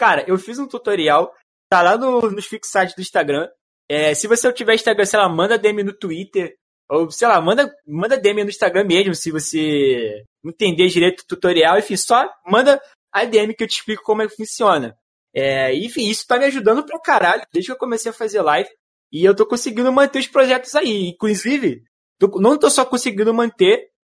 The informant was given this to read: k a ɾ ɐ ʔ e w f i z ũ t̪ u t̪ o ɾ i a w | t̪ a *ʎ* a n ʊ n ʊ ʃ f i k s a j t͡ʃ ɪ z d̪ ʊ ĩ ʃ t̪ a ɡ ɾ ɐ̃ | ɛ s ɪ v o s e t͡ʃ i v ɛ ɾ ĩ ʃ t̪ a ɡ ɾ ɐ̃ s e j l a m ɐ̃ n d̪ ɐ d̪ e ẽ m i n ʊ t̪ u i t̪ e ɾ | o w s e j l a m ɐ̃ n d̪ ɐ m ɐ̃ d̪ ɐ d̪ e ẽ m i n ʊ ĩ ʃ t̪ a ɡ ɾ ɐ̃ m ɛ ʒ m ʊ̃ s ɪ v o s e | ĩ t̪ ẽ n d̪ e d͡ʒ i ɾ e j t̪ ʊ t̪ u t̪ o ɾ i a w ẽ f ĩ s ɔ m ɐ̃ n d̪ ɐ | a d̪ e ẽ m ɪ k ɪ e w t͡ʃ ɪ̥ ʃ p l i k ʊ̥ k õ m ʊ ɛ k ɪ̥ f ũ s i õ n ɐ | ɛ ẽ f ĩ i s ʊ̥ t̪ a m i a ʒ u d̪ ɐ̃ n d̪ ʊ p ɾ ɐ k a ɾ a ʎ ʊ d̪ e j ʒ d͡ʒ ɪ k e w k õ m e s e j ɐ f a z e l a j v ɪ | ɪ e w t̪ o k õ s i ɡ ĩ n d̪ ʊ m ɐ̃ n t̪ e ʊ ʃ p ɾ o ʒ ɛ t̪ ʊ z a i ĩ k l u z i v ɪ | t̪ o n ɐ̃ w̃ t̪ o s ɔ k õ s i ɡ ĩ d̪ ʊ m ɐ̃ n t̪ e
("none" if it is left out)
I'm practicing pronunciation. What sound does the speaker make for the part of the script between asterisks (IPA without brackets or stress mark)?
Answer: l